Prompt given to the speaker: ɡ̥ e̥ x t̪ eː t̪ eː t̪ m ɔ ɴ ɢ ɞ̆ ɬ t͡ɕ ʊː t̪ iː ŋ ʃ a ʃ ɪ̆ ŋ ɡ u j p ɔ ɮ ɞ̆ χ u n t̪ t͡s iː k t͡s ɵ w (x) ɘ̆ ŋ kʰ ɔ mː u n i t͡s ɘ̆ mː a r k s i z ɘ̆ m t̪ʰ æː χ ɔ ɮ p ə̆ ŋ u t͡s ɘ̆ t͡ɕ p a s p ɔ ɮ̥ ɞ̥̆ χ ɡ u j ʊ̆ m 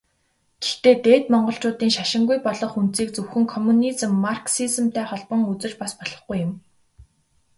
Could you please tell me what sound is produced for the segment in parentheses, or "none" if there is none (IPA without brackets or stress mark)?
x